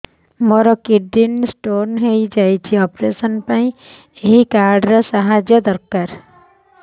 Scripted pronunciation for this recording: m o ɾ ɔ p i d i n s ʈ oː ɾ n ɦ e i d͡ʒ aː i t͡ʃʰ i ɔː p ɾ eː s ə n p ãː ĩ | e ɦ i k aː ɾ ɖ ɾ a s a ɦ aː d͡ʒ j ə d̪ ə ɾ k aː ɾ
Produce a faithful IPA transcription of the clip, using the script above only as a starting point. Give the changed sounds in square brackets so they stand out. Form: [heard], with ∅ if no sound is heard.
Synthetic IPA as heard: m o ɾ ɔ [k] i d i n s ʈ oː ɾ n ɦ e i d͡ʒ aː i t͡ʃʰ i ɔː p ɾ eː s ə n p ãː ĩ | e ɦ i k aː ɾ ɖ ɾ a s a ɦ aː d͡ʒ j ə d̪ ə ɾ k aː ɾ